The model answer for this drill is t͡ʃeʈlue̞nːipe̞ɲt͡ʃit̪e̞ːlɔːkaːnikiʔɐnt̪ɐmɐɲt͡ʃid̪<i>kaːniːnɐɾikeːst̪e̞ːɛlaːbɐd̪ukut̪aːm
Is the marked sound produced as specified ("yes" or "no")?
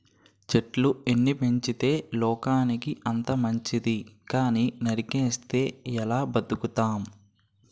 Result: yes